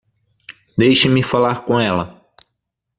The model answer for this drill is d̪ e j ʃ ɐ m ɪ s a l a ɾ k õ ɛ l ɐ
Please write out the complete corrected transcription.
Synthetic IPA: d̪ e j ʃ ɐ m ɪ f a l a ɾ k õ ɛ l ɐ